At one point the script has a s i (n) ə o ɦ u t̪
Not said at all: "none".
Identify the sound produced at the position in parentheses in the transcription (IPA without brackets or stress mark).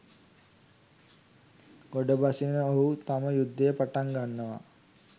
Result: n